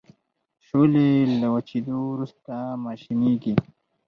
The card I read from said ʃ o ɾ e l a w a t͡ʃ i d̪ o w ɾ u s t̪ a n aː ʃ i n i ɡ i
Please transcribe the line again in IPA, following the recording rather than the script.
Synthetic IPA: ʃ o l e l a w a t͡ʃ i d̪ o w ɾ u s t̪ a m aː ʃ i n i ɡ i